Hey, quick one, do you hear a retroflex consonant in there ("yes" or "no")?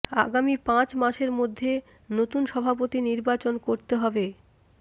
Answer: no